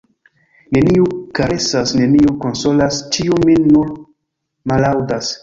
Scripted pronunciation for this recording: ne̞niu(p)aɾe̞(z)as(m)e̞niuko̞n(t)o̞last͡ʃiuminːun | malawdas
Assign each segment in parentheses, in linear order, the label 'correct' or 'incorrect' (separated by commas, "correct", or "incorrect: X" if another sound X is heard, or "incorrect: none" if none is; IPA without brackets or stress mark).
incorrect: k, incorrect: s, incorrect: n, incorrect: s